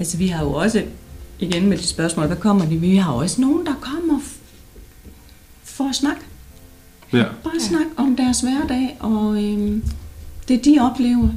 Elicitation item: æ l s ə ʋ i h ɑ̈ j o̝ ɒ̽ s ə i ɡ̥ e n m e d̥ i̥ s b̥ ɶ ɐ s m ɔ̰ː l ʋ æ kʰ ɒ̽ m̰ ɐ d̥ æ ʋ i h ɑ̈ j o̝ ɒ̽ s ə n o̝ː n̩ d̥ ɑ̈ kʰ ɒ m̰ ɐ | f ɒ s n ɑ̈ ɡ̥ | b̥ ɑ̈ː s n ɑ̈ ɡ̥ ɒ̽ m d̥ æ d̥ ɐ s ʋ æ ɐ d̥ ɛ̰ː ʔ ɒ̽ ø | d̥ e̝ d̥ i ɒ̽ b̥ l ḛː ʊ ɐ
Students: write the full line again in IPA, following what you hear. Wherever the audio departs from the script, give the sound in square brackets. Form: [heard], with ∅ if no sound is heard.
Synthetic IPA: æ l s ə ʋ i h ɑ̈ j o̝ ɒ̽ s ə i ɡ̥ e n m e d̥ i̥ s b̥ ɶ ɐ s m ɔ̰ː l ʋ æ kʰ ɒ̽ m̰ ɐ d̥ [i] ʋ i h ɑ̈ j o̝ ɒ̽ s ə n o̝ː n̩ d̥ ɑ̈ kʰ ɒ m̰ ɐ | f ɒ s n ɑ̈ ɡ̥ | b̥ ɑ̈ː s n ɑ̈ ɡ̥ ɒ̽ m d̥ æ [∅] ɐ s ʋ æ ɐ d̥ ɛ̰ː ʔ ɒ̽ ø | d̥ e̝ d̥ i ɒ̽ b̥ l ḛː ʊ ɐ